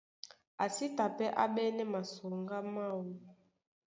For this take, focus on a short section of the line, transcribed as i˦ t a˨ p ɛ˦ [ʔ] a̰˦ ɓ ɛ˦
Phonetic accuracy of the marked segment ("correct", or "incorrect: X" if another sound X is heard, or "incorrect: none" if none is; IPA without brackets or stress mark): correct